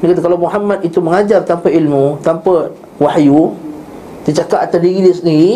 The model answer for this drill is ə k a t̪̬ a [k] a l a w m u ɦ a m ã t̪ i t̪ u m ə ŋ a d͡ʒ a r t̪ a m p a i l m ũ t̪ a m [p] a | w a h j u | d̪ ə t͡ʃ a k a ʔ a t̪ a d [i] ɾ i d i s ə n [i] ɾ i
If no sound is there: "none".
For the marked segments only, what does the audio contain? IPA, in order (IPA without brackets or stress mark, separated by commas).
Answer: k, p, i, i